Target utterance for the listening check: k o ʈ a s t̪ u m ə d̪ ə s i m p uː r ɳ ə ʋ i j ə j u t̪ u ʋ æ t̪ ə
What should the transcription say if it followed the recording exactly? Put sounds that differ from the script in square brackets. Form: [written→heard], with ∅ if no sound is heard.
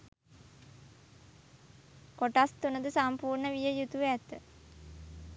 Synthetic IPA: k o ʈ a s t̪ u [m→n] ə d̪ ə s [i→a] m p uː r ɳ ə ʋ i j ə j u t̪ u ʋ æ t̪ ə